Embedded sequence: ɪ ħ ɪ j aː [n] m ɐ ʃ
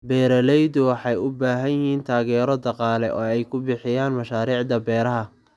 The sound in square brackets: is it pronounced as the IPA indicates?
yes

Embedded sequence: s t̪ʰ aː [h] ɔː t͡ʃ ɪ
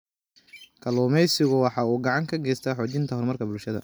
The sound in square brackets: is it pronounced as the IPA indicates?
no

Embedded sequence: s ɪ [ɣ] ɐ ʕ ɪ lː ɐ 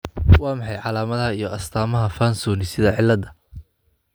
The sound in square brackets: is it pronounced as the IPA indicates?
no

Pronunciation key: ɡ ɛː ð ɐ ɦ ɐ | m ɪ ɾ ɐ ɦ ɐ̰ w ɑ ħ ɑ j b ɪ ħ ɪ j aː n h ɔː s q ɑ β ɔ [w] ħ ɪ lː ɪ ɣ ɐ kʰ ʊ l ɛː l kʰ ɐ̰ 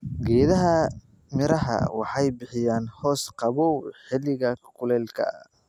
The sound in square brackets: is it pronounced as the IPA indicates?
yes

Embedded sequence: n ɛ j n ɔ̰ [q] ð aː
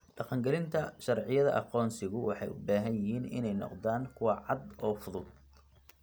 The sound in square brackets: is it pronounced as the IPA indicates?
yes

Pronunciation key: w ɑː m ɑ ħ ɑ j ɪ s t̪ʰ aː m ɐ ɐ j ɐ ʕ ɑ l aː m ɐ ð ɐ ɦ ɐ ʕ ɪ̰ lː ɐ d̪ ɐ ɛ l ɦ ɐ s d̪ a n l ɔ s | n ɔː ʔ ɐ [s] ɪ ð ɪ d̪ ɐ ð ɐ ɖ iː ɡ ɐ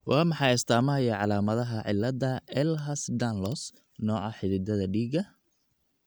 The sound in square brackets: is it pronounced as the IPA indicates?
no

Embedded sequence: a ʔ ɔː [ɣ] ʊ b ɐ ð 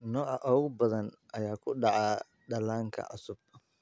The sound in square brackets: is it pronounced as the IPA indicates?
yes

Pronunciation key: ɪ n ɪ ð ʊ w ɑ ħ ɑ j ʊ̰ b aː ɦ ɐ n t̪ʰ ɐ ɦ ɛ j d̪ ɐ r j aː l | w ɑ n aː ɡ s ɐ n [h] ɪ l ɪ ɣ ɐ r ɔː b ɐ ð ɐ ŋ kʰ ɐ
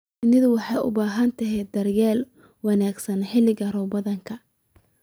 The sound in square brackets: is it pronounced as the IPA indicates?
no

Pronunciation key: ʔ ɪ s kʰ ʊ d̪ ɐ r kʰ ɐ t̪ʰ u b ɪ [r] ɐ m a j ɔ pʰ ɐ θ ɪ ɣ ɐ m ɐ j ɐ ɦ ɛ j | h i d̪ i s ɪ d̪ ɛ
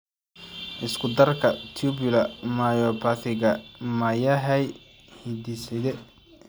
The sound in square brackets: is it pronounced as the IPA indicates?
no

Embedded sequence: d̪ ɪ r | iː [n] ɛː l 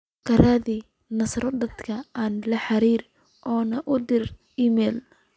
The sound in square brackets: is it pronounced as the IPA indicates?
no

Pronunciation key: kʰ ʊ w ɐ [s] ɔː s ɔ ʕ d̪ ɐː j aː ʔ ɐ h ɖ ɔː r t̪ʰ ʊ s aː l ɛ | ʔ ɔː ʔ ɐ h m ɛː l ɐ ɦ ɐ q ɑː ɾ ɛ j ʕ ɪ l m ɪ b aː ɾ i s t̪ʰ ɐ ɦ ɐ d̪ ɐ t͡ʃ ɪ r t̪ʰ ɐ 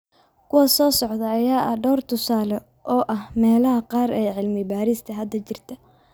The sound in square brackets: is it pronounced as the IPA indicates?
yes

